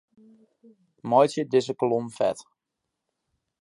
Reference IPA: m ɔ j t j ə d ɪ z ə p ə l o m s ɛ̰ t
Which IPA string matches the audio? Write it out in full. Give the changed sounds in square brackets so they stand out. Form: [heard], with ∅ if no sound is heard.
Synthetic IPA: m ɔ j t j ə d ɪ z ə [k] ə l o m [f] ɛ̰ t